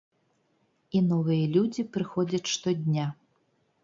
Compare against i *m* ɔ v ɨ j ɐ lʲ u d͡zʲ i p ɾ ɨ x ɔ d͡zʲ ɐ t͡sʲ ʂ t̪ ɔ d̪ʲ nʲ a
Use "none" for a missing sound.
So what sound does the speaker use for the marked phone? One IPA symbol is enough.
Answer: n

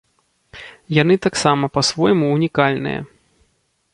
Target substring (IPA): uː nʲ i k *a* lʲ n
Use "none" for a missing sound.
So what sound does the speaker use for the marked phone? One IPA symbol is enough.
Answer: a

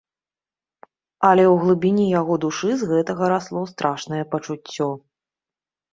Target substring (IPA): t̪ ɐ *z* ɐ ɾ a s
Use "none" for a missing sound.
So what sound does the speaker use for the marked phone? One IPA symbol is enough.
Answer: ɣ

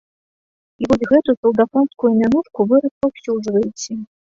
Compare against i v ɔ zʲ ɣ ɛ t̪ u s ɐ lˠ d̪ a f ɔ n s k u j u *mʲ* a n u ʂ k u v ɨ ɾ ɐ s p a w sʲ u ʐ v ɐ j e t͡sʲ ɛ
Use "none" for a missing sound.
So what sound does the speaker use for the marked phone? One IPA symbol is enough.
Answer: mʲ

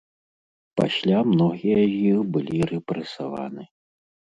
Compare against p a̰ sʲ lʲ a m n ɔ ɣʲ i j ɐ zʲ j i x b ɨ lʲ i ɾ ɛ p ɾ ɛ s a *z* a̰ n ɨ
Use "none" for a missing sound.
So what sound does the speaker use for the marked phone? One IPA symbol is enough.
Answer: v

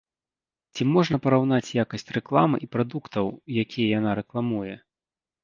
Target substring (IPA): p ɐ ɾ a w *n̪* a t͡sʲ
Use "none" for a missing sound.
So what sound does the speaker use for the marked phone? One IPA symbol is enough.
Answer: n̪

